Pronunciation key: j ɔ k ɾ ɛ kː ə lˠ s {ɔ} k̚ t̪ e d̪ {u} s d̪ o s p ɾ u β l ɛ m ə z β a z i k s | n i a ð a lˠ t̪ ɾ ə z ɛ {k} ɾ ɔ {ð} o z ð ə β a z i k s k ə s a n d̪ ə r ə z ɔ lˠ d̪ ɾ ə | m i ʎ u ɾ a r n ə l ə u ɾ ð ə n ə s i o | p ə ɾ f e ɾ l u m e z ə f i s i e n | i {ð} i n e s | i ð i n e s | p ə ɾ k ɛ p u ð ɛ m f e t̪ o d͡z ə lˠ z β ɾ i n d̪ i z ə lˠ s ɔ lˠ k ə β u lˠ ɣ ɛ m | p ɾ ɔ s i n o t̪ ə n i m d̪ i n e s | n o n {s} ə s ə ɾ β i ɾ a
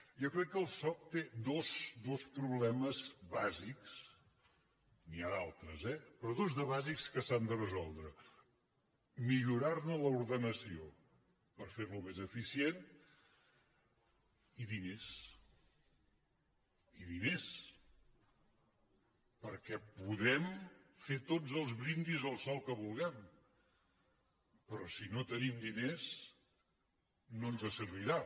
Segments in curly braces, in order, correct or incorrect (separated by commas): correct, incorrect, incorrect, correct, correct, incorrect